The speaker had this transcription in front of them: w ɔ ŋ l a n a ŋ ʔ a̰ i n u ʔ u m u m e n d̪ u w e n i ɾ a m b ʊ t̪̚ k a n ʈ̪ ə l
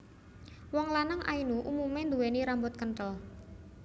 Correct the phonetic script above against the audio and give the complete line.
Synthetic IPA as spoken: w ɔ ŋ l a n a ŋ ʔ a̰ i n u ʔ u m u m e n d̪ u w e n i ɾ a m b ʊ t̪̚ k ə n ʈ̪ ə l